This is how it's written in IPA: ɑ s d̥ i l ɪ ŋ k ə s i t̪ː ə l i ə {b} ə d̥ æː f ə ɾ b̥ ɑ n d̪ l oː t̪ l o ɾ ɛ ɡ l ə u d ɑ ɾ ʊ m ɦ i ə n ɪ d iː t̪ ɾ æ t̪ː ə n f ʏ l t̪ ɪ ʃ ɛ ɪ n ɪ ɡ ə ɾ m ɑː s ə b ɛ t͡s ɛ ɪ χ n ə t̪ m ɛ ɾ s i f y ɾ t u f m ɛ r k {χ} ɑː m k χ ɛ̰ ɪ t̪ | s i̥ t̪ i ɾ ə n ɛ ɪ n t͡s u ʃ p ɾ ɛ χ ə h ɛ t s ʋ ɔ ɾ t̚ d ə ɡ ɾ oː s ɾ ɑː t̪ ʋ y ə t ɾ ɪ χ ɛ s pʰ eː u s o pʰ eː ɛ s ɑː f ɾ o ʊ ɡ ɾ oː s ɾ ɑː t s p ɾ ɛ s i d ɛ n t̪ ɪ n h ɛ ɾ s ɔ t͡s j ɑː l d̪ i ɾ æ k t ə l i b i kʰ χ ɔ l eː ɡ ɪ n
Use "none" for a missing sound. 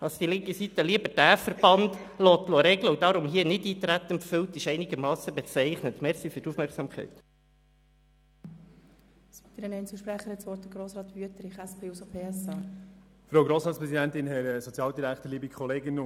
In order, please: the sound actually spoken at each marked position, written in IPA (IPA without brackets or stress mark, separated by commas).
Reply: b, s